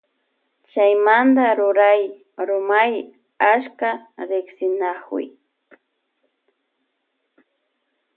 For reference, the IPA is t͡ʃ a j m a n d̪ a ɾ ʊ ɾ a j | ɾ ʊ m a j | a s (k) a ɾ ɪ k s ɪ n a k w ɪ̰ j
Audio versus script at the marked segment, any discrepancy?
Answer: no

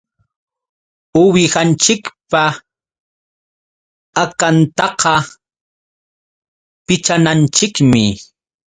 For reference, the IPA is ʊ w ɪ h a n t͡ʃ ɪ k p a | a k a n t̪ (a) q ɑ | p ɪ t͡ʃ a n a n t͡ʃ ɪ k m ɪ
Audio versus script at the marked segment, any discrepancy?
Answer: yes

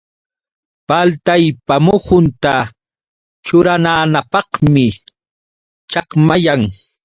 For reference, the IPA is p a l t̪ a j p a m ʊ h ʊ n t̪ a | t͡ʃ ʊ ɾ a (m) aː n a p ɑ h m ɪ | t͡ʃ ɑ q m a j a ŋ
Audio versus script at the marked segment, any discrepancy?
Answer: yes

